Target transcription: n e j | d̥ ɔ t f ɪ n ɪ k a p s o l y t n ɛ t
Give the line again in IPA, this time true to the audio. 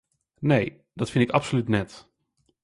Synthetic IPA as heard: n e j | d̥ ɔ t f ɪ n ɪ k a p s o l y t n ɛ t